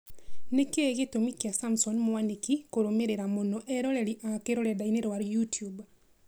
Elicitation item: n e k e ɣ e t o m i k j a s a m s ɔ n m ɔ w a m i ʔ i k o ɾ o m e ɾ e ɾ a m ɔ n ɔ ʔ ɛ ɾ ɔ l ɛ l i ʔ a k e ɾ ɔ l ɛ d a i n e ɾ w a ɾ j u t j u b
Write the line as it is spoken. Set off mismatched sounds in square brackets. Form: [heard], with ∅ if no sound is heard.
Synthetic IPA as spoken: n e k e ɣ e t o m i k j a s a m s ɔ n m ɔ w a [n] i [k] i k o ɾ o m e ɾ e ɾ a m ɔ n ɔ ʔ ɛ ɾ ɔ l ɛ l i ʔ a k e ɾ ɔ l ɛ d a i n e ɾ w a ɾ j u t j u b

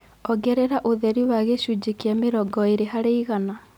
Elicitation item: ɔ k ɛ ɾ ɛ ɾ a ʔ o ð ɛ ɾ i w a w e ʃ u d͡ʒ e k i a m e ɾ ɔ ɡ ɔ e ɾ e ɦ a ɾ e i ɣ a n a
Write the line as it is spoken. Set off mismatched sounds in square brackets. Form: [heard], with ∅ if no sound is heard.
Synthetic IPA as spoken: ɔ [ɡ] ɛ ɾ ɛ ɾ a ʔ o ð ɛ ɾ i w a [ɣ] e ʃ u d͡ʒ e k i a m e ɾ ɔ ɡ ɔ e ɾ e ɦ a ɾ e i ɣ a n a

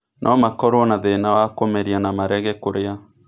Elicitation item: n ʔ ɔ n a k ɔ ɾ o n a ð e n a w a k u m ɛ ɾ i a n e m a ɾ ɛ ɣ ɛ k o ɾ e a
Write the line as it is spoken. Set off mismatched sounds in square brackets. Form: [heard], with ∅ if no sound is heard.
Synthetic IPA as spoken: n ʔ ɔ [m] a k ɔ ɾ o n a ð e n a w a k [o] m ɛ ɾ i a n [a] m a ɾ ɛ ɣ ɛ k o ɾ e a

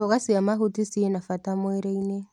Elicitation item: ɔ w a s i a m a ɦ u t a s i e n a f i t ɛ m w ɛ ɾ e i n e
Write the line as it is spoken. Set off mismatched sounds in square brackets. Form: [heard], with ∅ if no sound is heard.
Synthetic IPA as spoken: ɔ [ɣ] a s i a m a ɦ u t [i] s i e n a f [a] t [a] m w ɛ ɾ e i n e

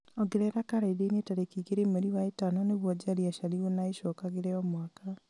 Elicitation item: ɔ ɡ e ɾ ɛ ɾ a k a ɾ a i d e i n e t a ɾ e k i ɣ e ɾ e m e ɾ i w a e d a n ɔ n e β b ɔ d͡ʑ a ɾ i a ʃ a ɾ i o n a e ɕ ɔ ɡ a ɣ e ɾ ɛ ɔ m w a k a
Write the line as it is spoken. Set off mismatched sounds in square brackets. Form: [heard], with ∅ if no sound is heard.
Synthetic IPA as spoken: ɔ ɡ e ɾ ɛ ɾ a k a ɾ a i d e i n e t a ɾ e k i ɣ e ɾ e m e ɾ i w a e [t] a n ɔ n e β [w] ɔ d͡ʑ a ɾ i a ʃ a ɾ i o n a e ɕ ɔ [k] a ɣ e ɾ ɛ ɔ m w a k a

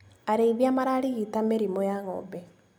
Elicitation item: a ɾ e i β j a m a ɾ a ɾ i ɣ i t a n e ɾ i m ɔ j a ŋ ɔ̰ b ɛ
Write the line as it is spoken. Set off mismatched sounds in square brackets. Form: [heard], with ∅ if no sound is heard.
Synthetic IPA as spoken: a ɾ e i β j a m a ɾ a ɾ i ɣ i t a [m] e ɾ i m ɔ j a ŋ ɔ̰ b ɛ

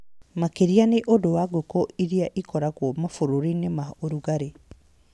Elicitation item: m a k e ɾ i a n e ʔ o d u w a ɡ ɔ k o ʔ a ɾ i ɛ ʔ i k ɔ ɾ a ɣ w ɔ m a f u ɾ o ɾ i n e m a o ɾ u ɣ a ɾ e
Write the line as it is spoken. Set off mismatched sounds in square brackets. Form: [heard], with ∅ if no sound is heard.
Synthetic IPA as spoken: m a k e ɾ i a n e ʔ o d [o] w a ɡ [o] k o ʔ [i] ɾ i [a] ʔ i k ɔ ɾ a ɣ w ɔ m a f [o] ɾ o ɾ i n e m a o ɾ u ɣ a ɾ e

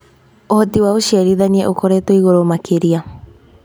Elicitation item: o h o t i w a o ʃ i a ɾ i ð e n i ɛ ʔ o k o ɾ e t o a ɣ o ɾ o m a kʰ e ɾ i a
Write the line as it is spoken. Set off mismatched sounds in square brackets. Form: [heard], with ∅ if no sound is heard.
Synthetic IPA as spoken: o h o t i w a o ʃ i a ɾ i ð [a] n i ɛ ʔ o k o ɾ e t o [i] ɣ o ɾ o m a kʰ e ɾ i a

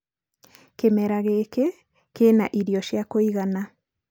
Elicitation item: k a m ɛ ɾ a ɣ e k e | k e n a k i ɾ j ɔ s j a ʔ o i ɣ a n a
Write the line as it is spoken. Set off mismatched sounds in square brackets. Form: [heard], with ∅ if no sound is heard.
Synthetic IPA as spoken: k [e] m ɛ ɾ a ɣ e k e | k e n a [ʔ] i ɾ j ɔ [ʃ] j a [k] o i ɣ a n a

